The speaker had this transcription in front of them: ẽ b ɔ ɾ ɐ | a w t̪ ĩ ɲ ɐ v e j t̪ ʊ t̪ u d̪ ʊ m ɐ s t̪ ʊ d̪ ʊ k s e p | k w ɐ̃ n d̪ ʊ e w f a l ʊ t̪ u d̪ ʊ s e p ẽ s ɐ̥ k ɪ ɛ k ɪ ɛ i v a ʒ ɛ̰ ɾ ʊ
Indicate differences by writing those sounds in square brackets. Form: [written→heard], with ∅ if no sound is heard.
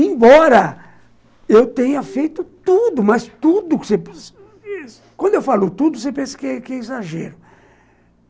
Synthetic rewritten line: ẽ b ɔ ɾ ɐ | [a→e] w t̪ [ĩ→ẽ] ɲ ɐ [v→f] e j t̪ ʊ t̪ u d̪ ʊ m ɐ s t̪ [ʊ→u] d̪ ʊ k s e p | k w ɐ̃ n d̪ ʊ e w f a l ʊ t̪ u d̪ ʊ s e p ẽ s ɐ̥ k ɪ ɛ k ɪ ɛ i [v→z] a ʒ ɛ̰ ɾ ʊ